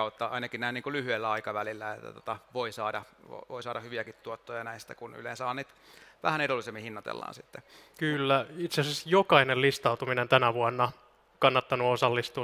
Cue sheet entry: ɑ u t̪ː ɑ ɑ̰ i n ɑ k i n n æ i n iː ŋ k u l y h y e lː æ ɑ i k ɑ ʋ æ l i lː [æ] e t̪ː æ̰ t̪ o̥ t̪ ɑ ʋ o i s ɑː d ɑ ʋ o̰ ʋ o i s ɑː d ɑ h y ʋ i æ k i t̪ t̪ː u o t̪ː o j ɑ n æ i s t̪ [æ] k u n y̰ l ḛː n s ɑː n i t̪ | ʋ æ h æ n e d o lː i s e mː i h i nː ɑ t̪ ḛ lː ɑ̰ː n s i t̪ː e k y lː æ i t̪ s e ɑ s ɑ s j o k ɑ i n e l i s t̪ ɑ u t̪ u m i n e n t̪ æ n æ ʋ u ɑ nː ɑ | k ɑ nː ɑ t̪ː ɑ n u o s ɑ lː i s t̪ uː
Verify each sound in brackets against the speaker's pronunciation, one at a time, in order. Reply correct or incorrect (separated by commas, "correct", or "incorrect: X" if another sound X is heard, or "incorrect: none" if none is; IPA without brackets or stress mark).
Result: correct, correct